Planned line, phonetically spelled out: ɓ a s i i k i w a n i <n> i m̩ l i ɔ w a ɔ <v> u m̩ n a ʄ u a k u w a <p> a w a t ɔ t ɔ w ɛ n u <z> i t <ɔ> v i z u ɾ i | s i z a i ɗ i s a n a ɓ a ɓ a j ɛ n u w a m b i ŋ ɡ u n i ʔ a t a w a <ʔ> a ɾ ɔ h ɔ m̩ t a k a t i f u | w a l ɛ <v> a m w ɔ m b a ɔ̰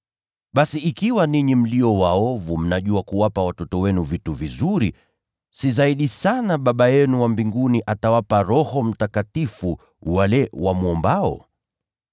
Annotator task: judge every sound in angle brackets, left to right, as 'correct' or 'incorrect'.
incorrect, correct, correct, incorrect, incorrect, incorrect, incorrect

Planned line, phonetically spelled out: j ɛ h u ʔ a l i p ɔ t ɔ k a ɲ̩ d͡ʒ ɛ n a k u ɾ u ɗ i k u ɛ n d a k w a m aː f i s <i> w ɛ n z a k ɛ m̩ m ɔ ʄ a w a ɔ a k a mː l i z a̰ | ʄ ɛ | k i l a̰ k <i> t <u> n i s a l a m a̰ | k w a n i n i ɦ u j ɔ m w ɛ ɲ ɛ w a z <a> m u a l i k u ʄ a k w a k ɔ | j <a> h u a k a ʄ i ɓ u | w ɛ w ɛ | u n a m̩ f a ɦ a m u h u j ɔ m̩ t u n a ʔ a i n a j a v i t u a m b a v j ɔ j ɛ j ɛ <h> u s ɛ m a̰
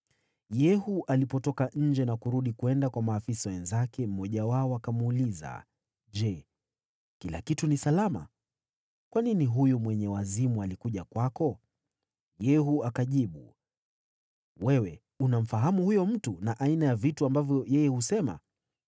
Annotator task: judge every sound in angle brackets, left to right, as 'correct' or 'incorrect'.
incorrect, correct, correct, incorrect, incorrect, correct

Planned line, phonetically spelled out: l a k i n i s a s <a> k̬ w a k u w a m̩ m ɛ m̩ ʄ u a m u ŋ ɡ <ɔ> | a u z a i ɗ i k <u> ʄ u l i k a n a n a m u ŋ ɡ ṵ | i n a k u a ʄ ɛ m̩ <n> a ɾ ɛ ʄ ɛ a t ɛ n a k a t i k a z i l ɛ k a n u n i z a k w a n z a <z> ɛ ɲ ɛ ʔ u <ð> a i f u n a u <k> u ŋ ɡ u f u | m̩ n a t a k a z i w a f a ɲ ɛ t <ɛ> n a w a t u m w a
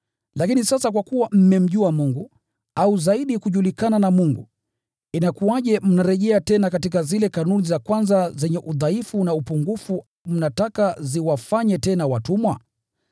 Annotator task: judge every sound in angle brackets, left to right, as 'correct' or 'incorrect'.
correct, incorrect, correct, correct, correct, correct, incorrect, correct

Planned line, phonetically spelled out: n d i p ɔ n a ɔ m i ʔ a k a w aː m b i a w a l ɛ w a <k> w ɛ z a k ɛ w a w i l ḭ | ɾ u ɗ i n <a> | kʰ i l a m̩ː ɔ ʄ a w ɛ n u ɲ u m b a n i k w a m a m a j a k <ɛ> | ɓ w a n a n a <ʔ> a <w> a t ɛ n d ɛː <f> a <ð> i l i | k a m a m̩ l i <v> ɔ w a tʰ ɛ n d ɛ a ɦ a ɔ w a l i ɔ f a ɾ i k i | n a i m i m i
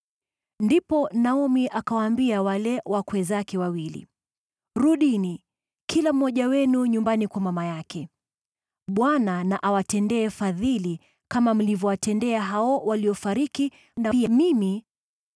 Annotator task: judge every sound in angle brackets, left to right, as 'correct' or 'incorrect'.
correct, incorrect, correct, correct, correct, correct, correct, correct

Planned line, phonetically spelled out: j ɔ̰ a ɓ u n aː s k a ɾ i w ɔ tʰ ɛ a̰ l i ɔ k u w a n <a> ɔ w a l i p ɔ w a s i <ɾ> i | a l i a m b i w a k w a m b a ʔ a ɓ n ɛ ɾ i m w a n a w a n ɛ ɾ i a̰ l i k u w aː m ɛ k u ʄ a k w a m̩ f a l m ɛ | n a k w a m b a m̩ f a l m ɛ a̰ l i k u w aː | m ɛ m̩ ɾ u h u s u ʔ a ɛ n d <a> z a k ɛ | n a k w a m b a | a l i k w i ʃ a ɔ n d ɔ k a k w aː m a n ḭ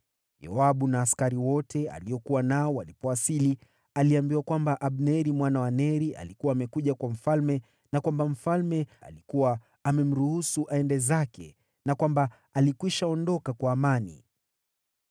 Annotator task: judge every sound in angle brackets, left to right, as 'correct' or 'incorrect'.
correct, incorrect, incorrect

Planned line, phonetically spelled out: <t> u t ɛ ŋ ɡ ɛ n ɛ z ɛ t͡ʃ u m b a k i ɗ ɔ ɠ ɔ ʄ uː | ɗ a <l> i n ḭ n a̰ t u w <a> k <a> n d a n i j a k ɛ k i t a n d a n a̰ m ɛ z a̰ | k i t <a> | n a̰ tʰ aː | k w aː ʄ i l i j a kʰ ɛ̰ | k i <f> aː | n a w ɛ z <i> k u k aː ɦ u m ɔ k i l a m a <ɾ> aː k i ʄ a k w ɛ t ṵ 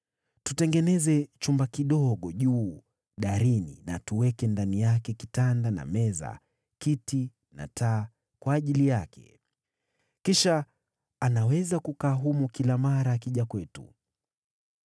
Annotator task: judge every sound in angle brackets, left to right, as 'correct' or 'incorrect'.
correct, incorrect, incorrect, incorrect, incorrect, incorrect, incorrect, correct

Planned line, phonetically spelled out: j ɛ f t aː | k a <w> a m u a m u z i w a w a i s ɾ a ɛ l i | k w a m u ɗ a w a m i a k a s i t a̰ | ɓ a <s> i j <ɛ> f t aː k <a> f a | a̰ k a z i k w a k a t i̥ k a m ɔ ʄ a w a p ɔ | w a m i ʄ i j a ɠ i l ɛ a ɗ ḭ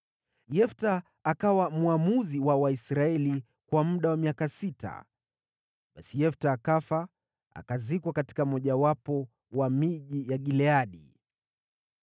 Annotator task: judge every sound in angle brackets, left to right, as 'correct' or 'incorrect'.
correct, correct, correct, correct

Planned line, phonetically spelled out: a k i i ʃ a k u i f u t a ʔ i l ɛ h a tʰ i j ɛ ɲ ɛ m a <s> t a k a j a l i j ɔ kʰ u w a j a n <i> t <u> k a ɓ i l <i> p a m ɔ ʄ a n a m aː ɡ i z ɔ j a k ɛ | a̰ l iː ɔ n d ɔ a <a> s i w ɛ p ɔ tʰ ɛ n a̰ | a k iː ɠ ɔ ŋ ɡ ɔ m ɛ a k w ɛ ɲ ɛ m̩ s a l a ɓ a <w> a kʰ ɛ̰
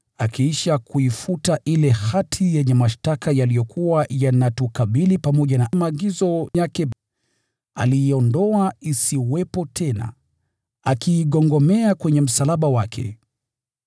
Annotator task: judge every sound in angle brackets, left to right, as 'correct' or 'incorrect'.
incorrect, incorrect, correct, correct, incorrect, correct

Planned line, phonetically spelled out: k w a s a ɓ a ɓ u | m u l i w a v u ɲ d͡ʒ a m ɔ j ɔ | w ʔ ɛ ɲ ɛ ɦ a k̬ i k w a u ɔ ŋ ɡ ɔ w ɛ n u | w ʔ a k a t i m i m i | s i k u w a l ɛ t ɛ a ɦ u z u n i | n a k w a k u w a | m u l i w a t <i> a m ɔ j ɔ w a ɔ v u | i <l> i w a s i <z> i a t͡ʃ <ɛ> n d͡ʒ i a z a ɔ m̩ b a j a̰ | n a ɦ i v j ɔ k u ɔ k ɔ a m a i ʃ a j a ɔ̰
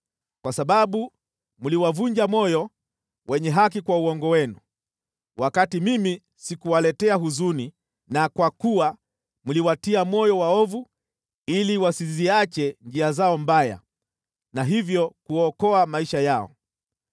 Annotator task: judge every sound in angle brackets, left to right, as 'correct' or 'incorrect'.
correct, correct, correct, correct

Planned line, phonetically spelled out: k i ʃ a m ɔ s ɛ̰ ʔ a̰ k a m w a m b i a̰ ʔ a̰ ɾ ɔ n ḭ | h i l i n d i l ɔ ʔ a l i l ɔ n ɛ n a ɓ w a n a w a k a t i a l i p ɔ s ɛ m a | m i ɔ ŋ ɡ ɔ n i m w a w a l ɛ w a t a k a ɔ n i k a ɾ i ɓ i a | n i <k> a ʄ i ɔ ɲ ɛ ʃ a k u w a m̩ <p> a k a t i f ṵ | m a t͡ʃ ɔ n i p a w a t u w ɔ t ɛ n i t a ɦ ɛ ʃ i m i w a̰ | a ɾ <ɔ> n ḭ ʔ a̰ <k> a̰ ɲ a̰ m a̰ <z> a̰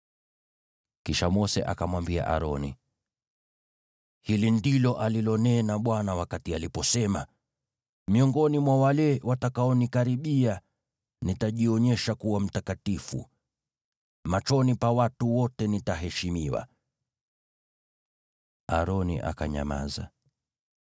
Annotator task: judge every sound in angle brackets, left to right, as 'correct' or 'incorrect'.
incorrect, incorrect, correct, correct, correct

